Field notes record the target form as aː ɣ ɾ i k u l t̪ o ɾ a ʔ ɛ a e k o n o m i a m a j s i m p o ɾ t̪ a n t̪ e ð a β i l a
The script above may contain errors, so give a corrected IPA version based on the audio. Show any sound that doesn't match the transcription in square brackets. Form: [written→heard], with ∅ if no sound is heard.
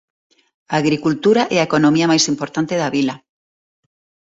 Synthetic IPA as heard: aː ɣ ɾ i k u l t̪ [o→u] ɾ a ʔ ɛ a e k o n o m i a m a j s i m p o ɾ t̪ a n t̪ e ð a β i l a